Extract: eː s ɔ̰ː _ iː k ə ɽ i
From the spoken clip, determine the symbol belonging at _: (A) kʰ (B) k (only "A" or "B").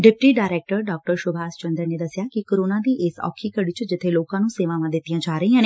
A